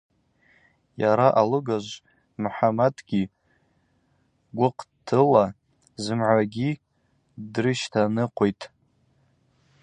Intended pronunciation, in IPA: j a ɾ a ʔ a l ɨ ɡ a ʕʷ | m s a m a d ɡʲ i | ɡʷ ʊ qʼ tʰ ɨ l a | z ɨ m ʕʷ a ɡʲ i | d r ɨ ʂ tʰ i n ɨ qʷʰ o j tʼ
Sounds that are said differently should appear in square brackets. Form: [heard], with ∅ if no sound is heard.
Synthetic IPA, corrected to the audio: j a ɾ a ʔ a l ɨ ɡ a [ʒʷ] | m [ħ] a m a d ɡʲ i | ɡʷ ʊ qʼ tʰ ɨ l a | z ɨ m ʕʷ a ɡʲ i | d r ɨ [ʃ] tʰ [a] n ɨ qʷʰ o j tʼ

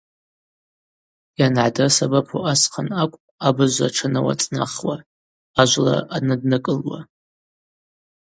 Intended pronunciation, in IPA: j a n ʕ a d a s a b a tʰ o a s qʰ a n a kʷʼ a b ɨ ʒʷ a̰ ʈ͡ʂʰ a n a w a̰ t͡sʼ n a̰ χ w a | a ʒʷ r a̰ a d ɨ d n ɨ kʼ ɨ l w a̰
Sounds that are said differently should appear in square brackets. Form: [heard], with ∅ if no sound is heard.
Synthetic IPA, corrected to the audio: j a n ʕ a d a s a b a [pʰ] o a s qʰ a n a kʷʼ a b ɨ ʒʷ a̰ ʈ͡ʂʰ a n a w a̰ t͡sʼ n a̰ χ w a | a ʒʷ [l] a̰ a [n] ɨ d n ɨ kʼ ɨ l w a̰

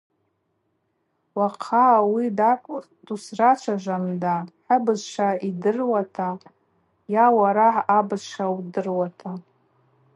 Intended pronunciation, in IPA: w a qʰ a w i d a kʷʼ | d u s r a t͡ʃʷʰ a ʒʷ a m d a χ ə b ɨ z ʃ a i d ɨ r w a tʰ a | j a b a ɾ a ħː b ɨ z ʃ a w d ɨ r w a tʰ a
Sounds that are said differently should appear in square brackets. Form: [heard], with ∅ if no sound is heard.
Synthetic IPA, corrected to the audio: w a qʰ a w i d a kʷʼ | d u s r a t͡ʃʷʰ a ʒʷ a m d a [ħ] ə b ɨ z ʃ a i d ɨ r w a tʰ a | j a [w] a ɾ a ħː b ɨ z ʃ a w d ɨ r w a tʰ a

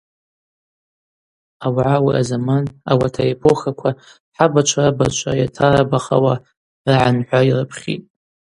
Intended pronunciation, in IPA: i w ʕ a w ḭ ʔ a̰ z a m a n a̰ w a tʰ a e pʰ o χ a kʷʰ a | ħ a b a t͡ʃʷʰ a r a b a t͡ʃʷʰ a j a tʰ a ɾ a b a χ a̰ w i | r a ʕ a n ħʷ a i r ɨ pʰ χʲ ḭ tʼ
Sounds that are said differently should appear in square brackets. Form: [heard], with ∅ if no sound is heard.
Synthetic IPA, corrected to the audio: [a] w ʕ a w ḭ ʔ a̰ z a m a n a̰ w a tʰ a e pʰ o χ a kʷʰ a | ħ a b a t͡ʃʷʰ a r a b a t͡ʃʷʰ a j a tʰ a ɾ a b a χ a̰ w [a] | r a ʕ a n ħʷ a i r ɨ pʰ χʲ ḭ tʼ

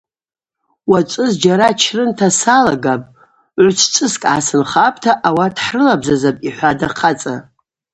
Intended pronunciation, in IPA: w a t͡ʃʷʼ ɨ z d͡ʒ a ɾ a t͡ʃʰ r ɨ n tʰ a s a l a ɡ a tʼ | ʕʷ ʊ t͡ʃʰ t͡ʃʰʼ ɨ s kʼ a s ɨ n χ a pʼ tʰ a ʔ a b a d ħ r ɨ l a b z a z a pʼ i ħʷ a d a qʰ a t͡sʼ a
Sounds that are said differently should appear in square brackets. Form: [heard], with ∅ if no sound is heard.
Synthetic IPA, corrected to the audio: w a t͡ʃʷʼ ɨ z d͡ʒ a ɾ a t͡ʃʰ r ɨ n tʰ a s a l a ɡ a [pʼ] | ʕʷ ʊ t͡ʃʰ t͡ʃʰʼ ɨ s kʼ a s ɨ n χ a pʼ tʰ a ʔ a [w] a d ħ r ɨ l a b z a z a pʼ i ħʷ a d a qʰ a t͡sʼ a

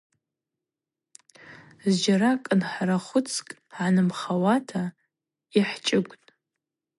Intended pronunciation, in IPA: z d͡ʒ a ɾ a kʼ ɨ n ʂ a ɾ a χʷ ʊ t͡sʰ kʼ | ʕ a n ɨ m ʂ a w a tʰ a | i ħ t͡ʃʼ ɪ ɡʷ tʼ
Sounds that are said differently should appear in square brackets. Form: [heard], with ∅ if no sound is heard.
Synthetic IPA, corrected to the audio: z d͡ʒ a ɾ a kʼ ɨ n [ħ] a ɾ a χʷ ʊ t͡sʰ kʼ | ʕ a n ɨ m [χ] a w a tʰ a | i ħ t͡ʃʼ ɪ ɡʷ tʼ

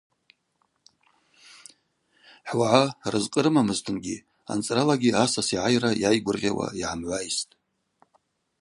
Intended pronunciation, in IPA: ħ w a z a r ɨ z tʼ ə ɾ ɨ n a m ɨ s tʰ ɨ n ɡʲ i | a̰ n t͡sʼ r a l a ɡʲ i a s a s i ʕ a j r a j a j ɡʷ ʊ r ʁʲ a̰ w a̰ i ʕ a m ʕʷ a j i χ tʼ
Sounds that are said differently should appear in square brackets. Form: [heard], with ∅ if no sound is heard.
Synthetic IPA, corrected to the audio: ħ w a [ʕ] a r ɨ z [qʼ] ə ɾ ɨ [m] a m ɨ [z] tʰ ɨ n ɡʲ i | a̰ n t͡sʼ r a l a ɡʲ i a s a s i ʕ a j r a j a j ɡʷ ʊ r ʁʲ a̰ w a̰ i ʕ a m ʕʷ a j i [s] tʼ

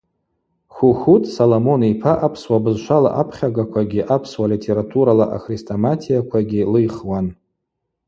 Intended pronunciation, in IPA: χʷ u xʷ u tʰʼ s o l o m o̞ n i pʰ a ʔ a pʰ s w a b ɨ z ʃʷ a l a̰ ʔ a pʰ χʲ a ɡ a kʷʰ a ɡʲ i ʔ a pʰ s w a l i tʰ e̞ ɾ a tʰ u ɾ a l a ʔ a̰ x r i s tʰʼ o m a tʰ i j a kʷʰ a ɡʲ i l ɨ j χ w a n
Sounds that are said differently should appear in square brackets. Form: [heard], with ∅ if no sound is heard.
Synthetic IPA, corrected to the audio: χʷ u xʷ u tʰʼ s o l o m o̞ n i pʰ a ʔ a pʰ s w a b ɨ z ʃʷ a l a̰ ʔ a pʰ χʲ a ɡ a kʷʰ a ɡʲ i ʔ a pʰ s w a l i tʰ e̞ ɾ a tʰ u ɾ a l a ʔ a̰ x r i s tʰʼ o m a tʰ i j a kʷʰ a ɡʲ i l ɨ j χ w a n

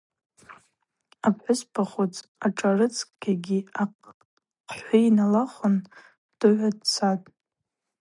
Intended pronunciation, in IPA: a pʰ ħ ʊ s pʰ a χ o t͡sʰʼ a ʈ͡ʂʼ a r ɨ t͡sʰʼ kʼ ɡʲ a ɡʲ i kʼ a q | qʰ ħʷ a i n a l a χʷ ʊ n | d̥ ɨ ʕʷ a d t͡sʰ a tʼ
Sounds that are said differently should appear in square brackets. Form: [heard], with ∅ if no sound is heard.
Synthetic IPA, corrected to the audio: a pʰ ħ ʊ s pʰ a χ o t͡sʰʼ a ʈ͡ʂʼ a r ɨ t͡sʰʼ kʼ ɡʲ a ɡʲ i [∅] a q | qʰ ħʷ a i n a l a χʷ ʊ n | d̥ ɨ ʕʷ a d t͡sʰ a tʼ

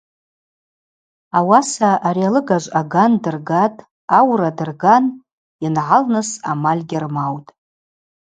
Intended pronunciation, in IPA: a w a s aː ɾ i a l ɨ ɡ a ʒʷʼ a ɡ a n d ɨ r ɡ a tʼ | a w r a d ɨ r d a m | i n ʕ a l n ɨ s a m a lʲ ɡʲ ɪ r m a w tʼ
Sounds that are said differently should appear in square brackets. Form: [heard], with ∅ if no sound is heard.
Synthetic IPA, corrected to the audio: a w a s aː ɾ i a l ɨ ɡ a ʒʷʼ a ɡ a n d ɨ r ɡ a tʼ | a w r a d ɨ r [ɡ] a [n] | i n ʕ a l n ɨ s a m a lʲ ɡʲ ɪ r m a w tʼ

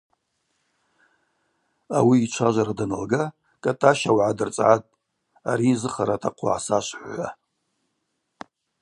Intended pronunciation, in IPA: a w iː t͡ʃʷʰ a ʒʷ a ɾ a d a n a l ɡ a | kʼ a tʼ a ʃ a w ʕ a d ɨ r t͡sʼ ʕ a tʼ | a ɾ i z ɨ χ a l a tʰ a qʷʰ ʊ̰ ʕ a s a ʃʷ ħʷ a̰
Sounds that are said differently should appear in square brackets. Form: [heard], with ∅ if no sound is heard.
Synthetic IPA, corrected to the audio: a w iː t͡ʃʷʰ a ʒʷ a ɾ a d a n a l ɡ a | kʼ a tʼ a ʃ a w ʕ a d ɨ r t͡sʼ ʕ a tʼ | a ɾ i z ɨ χ a [ɾ] a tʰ a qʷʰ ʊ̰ ʕ a s a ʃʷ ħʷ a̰

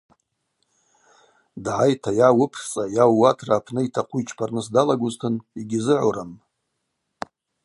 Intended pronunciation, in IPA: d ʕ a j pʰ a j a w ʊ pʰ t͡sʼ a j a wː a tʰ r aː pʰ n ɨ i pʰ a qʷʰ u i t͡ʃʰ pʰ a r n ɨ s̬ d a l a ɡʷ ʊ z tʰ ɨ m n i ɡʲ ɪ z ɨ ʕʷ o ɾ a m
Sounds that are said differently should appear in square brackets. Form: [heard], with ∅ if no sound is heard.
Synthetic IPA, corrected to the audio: d ʕ a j [tʰ] a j a w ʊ pʰ t͡sʼ a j a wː a tʰ r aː pʰ n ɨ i [tʰ] a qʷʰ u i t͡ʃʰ pʰ a r n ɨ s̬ d a l a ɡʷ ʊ z tʰ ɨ [∅] n i ɡʲ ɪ z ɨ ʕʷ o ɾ a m

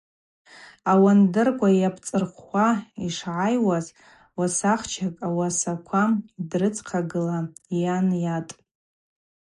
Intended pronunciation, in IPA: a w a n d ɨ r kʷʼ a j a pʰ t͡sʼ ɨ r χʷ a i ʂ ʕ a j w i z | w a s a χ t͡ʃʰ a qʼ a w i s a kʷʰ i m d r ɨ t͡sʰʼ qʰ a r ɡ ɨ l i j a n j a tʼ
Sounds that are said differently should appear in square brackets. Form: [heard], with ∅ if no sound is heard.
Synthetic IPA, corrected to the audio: a w a n d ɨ r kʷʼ a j a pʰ t͡sʼ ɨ r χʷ a i ʂ ʕ a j w [a] z | w a s a χ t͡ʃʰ a [kʼ] a w [a] s a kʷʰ [a] m d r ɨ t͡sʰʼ qʰ a [∅] ɡ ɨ l [a] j a n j a tʼ

